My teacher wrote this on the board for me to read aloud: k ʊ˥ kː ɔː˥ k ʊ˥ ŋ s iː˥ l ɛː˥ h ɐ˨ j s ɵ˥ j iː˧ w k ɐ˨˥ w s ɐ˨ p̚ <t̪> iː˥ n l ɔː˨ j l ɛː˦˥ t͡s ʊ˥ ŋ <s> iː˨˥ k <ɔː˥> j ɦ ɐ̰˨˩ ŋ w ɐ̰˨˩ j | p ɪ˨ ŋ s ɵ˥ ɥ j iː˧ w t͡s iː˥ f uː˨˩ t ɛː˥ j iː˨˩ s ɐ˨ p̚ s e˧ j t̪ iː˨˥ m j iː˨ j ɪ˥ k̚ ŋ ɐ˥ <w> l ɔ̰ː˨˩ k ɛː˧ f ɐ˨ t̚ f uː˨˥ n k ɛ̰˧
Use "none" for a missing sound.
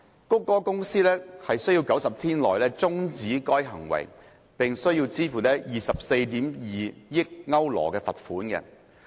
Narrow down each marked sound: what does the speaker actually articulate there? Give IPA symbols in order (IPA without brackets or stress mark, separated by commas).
t̪ʰ, t͡s, ɔː˥, w